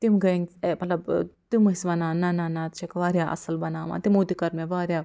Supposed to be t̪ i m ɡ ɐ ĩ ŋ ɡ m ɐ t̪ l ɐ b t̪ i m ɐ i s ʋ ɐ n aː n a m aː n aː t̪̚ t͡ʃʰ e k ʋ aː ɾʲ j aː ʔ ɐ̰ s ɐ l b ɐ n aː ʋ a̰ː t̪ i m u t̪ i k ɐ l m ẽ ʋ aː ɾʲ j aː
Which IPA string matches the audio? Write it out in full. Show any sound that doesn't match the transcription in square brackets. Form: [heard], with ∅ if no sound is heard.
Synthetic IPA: t̪ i m ɡ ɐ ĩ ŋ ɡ m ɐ t̪ l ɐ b t̪ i m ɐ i s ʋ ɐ n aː n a [n] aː n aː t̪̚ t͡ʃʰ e k ʋ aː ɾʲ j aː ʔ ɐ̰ s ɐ l b ɐ n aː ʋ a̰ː t̪ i m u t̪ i k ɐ [ɾ] m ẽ ʋ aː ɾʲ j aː